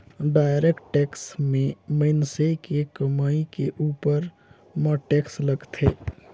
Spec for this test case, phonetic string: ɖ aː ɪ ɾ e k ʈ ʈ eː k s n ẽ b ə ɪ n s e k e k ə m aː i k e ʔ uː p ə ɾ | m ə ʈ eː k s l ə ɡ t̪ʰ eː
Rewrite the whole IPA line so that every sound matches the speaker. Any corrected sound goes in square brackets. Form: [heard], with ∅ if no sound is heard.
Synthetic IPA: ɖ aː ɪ ɾ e k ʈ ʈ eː k s [m] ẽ [m] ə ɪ n s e k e k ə m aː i k e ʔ uː p ə ɾ | m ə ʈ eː k s l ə ɡ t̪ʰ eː